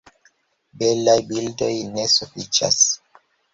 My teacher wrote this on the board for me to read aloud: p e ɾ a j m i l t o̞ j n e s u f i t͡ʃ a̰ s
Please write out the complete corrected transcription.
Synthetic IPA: b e l a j b i l d o̞ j n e s u f i t͡ʃ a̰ s